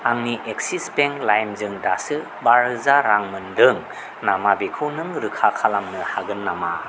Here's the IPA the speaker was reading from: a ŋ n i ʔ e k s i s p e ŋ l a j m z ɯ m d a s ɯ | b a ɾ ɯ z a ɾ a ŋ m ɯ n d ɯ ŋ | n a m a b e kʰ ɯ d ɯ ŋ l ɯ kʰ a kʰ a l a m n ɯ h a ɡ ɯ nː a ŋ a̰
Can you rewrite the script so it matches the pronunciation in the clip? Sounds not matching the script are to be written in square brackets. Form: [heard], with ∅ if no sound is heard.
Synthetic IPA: a ŋ n i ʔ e k s i s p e ŋ l a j m z ɯ [ŋ] d a s ɯ | b a ɾ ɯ z a ɾ a ŋ m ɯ n d ɯ ŋ | n a m a b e kʰ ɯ [n] ɯ ŋ [ɾ] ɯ kʰ a kʰ a l a m n ɯ h a ɡ ɯ nː a [m] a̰

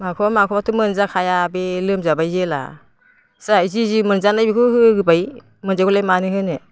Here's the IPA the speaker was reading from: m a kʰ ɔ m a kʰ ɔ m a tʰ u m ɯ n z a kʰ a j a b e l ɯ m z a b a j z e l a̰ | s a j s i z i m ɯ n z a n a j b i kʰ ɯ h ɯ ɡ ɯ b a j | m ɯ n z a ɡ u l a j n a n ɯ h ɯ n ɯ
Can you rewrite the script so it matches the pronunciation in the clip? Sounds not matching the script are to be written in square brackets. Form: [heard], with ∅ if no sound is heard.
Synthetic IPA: m a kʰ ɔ m a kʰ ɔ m a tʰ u m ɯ n z a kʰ a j a b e l ɯ m z a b a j z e l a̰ | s a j [z] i z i m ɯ n z a n a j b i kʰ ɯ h ɯ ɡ ɯ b a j | m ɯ n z a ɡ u l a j [m] a n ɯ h ɯ n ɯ

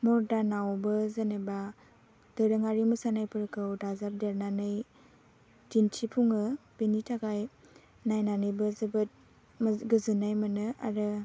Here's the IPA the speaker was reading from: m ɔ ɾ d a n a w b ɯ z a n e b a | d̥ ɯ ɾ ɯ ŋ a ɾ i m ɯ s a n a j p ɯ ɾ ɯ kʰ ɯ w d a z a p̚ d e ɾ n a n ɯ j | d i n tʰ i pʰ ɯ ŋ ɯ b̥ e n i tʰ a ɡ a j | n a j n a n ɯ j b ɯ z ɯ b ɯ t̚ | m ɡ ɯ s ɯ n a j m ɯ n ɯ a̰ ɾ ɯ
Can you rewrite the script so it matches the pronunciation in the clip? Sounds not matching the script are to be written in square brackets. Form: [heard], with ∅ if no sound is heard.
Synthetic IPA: m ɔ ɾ d a n a w b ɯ z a n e b a | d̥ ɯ ɾ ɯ ŋ a ɾ i m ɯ s a n a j p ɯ ɾ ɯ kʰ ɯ w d a z a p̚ d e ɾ n a n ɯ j | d i n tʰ i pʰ [u] ŋ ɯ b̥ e n i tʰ a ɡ a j | n a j n a n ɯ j b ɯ z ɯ b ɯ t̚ | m ɡ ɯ [z] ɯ n a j m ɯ n ɯ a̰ ɾ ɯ

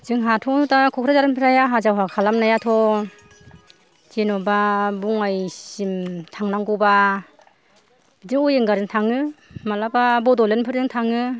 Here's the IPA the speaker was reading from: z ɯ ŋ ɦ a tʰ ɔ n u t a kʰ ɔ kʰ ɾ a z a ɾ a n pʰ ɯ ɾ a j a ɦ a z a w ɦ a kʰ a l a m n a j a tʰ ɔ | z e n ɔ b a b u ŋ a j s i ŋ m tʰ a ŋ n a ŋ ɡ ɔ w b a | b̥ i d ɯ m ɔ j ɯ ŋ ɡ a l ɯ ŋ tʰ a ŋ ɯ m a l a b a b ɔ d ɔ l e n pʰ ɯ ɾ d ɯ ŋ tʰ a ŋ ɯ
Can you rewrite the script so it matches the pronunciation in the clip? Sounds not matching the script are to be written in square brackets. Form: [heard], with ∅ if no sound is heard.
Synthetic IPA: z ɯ ŋ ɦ a tʰ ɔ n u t a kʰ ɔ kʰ ɾ a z a ɾ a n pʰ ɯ ɾ a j a ɦ a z a w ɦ a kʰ a l a m n a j a tʰ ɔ | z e n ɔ b a b u ŋ a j s i [∅] m tʰ a ŋ n a ŋ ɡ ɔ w b a | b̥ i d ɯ [ŋ] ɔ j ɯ ŋ ɡ a [ɾ] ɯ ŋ tʰ a ŋ ɯ m a l a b a b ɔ d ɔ l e n pʰ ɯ ɾ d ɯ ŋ tʰ a ŋ ɯ

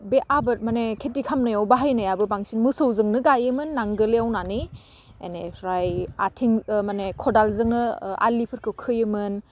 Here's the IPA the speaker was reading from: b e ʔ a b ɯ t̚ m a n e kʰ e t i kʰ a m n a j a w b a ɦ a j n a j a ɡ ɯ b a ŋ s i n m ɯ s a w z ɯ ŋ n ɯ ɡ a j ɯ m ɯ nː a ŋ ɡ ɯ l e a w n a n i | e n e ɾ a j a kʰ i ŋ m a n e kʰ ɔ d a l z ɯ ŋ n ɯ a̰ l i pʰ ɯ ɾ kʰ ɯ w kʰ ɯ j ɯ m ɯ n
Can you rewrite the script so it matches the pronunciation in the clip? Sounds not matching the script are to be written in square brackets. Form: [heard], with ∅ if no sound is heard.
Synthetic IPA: b e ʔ a b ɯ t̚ m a n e kʰ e t i kʰ a m n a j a w b a ɦ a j n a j a [b] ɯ b a ŋ s i n m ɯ s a w z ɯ ŋ n ɯ ɡ a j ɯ m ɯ nː a ŋ ɡ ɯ l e a w n a n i | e n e ɾ a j a [tʰ] i ŋ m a n e kʰ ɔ d a l z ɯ ŋ n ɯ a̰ l i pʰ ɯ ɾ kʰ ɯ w kʰ ɯ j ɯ m ɯ n

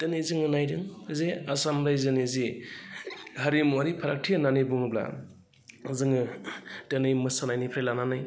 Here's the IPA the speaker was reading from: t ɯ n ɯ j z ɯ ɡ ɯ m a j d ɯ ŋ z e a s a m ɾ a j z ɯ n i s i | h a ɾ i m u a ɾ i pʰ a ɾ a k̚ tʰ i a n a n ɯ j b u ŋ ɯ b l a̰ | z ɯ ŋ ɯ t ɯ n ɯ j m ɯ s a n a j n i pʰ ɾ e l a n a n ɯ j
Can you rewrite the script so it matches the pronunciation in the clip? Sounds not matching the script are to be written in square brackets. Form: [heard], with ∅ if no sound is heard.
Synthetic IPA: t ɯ n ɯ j z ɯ [ŋ] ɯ [n] a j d ɯ ŋ z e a s a m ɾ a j z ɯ n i [z] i | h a ɾ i m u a ɾ i pʰ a ɾ a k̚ tʰ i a n a n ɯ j b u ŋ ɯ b l a̰ | z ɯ ŋ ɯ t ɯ n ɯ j m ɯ s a n a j n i pʰ ɾ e l a n a n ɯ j

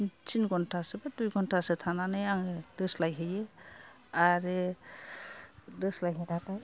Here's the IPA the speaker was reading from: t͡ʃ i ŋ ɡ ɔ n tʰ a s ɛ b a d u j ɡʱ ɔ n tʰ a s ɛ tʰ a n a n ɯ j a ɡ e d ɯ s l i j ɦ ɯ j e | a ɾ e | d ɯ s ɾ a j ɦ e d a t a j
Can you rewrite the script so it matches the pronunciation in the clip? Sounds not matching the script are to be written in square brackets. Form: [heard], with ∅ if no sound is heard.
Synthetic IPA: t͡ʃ i [n] ɡ ɔ n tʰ a s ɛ b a d u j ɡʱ ɔ n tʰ a s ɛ tʰ a n a n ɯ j a [ŋ] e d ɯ s l [a] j ɦ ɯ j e | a ɾ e | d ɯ s [l] a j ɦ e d a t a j

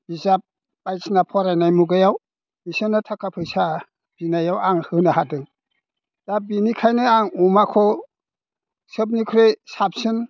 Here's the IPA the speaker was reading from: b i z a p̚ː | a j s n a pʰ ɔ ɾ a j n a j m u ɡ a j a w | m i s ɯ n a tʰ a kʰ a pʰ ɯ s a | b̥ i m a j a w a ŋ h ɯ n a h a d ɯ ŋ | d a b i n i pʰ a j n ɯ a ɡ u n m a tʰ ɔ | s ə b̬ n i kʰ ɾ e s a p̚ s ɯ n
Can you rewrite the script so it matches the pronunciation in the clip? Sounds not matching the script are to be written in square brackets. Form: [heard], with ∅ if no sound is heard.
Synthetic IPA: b i z a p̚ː | a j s n a pʰ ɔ ɾ a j n a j m u ɡ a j a w | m i s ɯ n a tʰ a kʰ a pʰ ɯ s a | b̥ i [n] a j a w a ŋ h ɯ n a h a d ɯ ŋ | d a b i n i [kʰ] a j n ɯ a [ŋ] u [∅] m a [kʰ] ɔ | s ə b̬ n i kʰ ɾ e s a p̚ s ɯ n

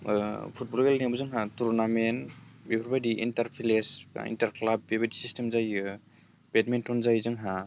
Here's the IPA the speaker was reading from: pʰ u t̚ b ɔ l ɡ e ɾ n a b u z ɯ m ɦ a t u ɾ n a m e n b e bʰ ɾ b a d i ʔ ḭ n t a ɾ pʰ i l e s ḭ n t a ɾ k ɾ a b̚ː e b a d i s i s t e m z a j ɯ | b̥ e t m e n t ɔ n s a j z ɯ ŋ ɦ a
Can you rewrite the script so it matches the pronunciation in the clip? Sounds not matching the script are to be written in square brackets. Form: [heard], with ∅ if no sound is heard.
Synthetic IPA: pʰ u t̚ b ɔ l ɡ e [l] n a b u z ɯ [ŋ] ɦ a t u ɾ n a m e n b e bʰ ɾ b a d i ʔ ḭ n t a ɾ pʰ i l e s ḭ n t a ɾ k [l] a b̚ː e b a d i s i s t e m z a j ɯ | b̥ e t m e n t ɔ n [z] a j z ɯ ŋ ɦ a

